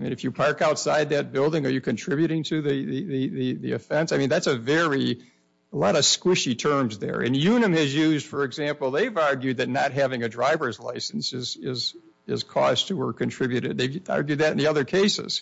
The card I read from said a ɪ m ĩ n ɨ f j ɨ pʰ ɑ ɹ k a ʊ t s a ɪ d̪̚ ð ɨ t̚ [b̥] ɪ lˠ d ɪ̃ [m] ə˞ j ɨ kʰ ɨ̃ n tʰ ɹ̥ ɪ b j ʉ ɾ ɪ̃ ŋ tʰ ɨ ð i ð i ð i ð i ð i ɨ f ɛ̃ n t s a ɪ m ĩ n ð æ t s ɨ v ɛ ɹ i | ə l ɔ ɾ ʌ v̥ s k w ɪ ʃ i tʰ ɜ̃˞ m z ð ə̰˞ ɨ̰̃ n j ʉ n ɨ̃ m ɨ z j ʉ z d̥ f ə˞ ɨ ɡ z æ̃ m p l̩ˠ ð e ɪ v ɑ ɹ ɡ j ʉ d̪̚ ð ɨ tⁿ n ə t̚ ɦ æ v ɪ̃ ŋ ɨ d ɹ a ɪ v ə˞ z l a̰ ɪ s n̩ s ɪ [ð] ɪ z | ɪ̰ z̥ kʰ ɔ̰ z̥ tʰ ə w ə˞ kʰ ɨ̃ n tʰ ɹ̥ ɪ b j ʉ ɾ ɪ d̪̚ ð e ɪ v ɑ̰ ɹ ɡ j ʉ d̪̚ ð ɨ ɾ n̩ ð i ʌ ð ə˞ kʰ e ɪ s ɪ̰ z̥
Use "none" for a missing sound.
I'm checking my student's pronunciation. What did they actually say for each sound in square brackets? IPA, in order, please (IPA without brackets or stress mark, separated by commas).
b̥, ŋ, z